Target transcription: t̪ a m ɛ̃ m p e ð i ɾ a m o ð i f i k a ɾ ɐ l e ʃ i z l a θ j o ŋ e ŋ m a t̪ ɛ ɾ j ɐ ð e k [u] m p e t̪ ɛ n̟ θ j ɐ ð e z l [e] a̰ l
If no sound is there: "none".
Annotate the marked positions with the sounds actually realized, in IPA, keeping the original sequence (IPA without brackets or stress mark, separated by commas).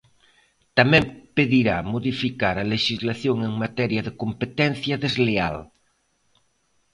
o, e